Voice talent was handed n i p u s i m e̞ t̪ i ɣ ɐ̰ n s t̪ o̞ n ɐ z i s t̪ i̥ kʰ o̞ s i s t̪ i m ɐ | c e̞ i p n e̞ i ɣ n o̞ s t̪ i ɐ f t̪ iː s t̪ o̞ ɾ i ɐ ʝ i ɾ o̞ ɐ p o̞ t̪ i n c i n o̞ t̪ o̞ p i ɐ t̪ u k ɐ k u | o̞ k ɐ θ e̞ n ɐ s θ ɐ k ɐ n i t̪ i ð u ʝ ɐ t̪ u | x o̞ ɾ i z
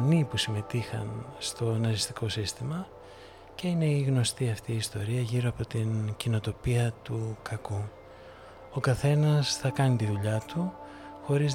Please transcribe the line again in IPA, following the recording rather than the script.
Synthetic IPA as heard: n i p u s i m e̞ t̪ i x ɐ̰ n s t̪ o̞ n ɐ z i s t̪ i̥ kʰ o̞ s i s t̪ i m ɐ | c e̞ i n e̞ i ɣ n o̞ s t̪ i ɐ f t̪ iː s t̪ o̞ ɾ i ɐ ʝ i ɾ o̞ ɐ p o̞ t̪ i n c i n o̞ t̪ o̞ p i ɐ t̪ u k ɐ k u | o̞ k ɐ θ e̞ n ɐ s θ ɐ k ɐ n i t̪ i ð u ʎ ɐ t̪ u | x o̞ ɾ i z